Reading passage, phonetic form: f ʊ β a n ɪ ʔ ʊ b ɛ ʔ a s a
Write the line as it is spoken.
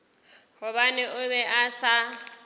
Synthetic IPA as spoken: h ʊ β a n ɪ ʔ ʊ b ɛ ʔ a s a

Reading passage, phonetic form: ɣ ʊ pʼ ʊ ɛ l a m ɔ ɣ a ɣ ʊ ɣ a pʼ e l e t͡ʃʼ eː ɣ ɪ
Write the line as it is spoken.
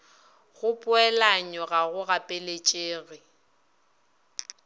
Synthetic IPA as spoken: ɣ ʊ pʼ ʊ ɛ l a ɲ ɔ ɣ a ɣ ʊ ɣ a pʼ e l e t͡ʃʼ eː ɣ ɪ

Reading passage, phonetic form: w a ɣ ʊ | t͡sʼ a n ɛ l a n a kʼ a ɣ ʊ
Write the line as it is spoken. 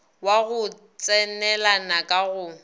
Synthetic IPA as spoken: w a ɣ ʊ | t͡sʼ ɛ n ɛ l a n a kʼ a ɣ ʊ

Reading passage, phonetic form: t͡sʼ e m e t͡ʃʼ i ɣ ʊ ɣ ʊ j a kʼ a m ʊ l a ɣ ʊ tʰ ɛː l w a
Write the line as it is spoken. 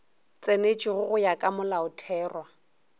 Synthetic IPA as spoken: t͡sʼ e n e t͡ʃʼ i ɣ ʊ ɣ ʊ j a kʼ a m ʊ l a ʊ tʰ ɛː r w a

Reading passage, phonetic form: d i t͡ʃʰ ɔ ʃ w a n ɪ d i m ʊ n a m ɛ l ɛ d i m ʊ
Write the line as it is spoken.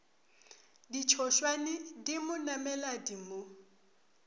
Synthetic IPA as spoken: d i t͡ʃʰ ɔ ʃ w a n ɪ d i m ʊ n a m ɛ l a d i m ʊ

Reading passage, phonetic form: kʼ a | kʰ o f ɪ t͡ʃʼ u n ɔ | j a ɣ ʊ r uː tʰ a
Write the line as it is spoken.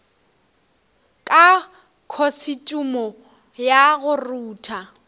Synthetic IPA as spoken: kʼ a | kʰ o s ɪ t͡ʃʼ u m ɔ | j a ɣ ʊ r uː tʰ a

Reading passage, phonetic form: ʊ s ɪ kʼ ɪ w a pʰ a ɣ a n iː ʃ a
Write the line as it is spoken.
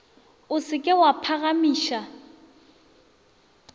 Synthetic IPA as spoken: ʊ s ɪ kʼ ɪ w a pʰ a ɣ a m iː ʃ a

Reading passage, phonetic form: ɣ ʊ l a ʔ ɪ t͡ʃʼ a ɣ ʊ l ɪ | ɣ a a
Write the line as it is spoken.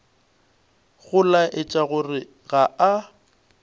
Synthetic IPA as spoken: ɣ ʊ l a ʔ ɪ t͡ʃʼ a ɣ ʊ r ɪ | ɣ a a

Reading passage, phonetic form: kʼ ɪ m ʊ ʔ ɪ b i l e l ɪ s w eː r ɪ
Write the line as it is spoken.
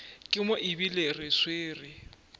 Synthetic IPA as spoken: kʼ ɪ m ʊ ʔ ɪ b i l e r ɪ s w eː r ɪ

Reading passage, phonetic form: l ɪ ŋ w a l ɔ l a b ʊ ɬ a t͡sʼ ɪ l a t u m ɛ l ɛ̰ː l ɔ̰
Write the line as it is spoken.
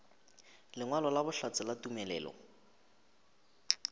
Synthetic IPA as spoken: l ɪ ŋ w a l ɔ l a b ʊ ɬ a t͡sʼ ɪ l a t u m ɛ l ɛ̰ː l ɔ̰

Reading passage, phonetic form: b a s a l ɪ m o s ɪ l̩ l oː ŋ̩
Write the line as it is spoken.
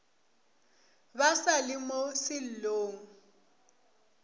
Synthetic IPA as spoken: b a s a l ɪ m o s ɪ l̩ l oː ŋ̩

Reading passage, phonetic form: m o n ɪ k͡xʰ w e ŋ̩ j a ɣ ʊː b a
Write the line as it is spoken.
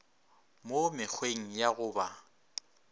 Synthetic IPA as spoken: m o m ɪ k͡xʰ w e ŋ̩ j a ɣ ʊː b a

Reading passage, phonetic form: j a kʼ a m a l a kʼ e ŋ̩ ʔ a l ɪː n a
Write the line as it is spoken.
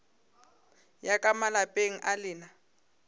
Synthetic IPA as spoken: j a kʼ a m a l a pʼ e ŋ̩ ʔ a l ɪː n a

